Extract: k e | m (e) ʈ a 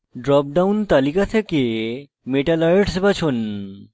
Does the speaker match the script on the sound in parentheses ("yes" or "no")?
yes